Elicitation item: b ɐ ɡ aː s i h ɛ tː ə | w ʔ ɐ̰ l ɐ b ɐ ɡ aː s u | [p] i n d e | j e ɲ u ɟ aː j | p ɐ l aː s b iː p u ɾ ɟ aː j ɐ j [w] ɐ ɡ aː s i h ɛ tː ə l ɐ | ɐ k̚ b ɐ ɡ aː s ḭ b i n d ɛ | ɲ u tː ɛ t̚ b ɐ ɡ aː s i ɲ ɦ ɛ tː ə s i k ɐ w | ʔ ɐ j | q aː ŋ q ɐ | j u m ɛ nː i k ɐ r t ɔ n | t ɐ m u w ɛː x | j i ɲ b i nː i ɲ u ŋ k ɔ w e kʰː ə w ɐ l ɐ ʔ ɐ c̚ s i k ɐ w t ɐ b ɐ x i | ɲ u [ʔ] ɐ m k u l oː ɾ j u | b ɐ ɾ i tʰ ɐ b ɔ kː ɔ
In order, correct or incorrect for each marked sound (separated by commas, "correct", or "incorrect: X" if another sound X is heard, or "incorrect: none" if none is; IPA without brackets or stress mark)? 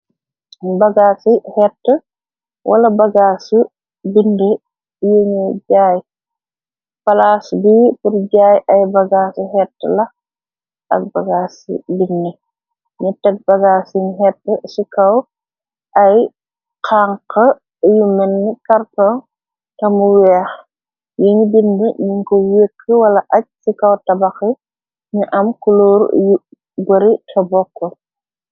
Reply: incorrect: b, incorrect: b, correct